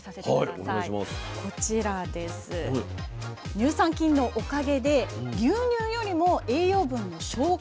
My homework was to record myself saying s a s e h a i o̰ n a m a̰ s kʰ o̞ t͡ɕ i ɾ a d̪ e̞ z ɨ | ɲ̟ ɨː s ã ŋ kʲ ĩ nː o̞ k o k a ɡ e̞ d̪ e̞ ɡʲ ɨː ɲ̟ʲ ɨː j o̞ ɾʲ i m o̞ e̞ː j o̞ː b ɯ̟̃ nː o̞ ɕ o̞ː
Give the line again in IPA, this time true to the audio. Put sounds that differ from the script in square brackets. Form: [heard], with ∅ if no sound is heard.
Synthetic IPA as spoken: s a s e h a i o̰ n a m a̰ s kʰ o̞ t͡ɕ i ɾ a d̪ e̞ [s] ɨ | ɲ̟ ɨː s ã ŋ kʲ ĩ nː o̞ [ʔ] o k a ɡ e̞ d̪ e̞ ɡʲ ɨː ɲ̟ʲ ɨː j o̞ ɾʲ i m o̞ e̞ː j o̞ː b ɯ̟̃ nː o̞ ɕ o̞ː